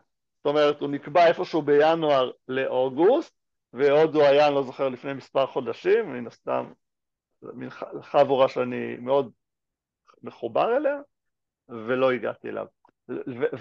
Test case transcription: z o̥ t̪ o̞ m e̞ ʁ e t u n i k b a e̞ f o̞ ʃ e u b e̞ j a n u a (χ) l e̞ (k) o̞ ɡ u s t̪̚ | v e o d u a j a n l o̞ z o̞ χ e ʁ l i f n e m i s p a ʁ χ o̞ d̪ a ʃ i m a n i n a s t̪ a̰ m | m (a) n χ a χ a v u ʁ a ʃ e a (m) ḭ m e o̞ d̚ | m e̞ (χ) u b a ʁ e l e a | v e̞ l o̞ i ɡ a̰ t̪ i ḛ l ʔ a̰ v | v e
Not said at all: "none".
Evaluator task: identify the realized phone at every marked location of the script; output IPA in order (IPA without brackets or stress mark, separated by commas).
ʁ, ʔ, i, n, χ